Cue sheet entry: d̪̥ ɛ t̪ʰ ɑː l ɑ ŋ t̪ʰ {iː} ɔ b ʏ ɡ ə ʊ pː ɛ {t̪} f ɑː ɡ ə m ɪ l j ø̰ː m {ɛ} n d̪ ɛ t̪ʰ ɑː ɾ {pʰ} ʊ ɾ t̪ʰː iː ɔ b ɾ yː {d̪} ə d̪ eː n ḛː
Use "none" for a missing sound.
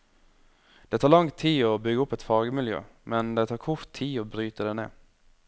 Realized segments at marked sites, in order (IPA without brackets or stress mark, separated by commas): iː, t̪, ɛ, kʰ, t̪